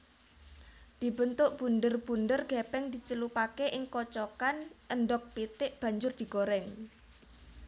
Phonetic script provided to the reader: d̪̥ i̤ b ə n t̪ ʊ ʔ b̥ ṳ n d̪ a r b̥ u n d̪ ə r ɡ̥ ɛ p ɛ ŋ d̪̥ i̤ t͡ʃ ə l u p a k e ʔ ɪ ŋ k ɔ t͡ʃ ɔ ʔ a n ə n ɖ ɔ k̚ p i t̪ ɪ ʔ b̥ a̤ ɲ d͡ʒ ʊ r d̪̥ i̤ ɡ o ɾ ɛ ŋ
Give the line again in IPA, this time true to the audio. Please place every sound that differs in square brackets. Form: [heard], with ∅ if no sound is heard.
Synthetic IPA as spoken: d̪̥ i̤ b ə n t̪ ʊ ʔ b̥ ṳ n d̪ [ə] r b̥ u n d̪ ə r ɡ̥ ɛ p ɛ ŋ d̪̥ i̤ t͡ʃ ə l u p a k e ʔ ɪ ŋ k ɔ t͡ʃ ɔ [k] a n ə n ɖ ɔ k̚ p i t̪ ɪ ʔ b̥ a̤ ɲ d͡ʒ ʊ r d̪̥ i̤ ɡ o ɾ ɛ ŋ